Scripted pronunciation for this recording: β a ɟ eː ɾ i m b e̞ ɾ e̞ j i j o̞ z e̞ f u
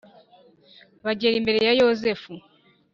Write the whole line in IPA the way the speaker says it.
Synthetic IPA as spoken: β a ɟ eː ɾ i m b e̞ ɾ e̞ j a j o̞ z e̞ f u